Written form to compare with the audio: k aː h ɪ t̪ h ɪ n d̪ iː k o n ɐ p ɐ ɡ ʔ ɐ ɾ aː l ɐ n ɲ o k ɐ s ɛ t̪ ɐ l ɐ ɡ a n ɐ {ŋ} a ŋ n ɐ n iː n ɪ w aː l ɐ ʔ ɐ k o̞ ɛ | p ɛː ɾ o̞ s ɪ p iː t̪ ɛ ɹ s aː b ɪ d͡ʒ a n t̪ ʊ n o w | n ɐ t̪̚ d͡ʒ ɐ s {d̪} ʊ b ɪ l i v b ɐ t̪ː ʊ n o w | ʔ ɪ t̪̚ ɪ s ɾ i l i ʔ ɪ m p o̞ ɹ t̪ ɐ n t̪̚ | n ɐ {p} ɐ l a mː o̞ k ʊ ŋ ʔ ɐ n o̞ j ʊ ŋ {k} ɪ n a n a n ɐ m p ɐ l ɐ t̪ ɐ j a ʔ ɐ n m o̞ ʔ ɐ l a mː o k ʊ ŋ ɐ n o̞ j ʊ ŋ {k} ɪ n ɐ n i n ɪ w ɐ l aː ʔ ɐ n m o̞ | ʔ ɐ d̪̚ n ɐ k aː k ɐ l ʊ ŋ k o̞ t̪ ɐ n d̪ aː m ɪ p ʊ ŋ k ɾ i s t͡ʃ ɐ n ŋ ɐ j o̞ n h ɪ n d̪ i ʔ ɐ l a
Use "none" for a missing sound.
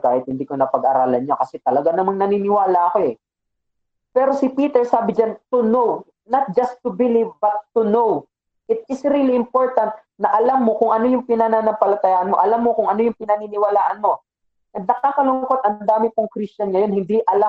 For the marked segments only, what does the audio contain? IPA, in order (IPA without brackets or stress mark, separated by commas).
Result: m, t̪, ʔ, p, p